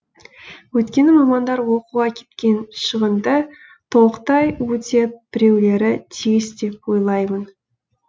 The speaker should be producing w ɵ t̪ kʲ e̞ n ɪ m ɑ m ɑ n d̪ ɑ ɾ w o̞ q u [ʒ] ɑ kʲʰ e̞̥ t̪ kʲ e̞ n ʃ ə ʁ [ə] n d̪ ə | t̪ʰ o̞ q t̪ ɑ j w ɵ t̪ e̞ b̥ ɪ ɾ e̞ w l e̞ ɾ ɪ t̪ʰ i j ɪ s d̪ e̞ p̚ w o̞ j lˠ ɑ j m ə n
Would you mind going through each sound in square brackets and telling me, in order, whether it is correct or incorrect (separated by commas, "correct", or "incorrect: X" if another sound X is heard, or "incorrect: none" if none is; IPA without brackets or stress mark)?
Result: incorrect: ʁ, correct